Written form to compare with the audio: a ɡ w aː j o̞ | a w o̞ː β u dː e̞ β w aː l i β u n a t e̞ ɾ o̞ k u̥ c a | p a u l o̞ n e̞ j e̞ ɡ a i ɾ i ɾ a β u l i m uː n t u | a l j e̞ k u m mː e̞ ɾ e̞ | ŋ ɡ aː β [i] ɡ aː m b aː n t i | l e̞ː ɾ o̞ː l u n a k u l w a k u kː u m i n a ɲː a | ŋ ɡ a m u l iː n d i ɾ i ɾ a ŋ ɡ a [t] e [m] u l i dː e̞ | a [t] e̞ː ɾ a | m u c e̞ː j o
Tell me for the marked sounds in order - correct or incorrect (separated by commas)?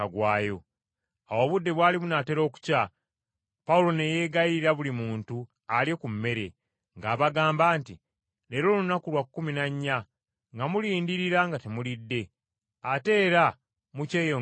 incorrect, correct, correct, correct